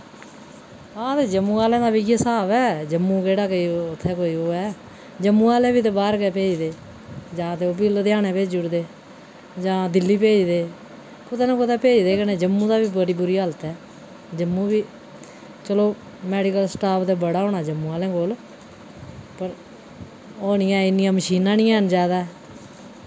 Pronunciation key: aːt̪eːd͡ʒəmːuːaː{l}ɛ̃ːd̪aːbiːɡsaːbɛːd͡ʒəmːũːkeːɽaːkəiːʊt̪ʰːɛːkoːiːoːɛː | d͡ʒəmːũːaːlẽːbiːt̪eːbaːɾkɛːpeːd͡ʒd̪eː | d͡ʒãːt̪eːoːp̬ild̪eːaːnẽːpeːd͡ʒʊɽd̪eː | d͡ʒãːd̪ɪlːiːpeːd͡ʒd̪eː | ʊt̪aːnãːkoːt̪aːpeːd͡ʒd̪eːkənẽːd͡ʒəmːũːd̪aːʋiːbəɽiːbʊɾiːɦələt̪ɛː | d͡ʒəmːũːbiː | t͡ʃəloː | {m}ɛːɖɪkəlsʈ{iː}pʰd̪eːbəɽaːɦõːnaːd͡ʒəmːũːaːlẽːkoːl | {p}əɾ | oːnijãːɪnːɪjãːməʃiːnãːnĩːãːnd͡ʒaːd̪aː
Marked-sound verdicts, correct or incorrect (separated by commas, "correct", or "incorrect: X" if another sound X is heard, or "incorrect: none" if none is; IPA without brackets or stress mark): correct, correct, incorrect: aː, correct